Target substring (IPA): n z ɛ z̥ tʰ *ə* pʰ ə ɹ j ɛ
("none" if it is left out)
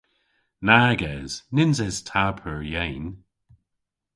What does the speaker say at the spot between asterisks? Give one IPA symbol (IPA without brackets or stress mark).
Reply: a